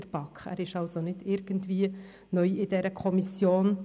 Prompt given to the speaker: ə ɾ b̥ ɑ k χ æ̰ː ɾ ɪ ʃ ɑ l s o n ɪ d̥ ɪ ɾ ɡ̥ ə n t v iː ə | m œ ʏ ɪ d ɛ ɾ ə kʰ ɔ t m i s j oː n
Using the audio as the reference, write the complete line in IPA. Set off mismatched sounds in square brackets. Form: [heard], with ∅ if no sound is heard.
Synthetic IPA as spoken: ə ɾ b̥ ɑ k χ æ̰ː ɾ ɪ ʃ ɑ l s o n ɪ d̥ ɪ ɾ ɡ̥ ə n t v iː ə | [n] œ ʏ ɪ d ɛ ɾ ə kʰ ɔ [∅] m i s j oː n